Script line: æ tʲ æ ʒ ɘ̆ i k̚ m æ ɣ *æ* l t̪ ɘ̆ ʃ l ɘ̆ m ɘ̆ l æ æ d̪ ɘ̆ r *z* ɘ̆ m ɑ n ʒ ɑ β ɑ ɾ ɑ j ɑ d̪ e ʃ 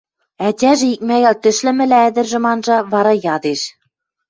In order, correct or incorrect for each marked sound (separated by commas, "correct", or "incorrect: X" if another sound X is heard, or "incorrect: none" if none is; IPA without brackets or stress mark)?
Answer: correct, incorrect: ʒ